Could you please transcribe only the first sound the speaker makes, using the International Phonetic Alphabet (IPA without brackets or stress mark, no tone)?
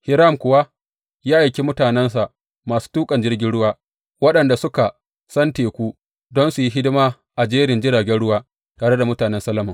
h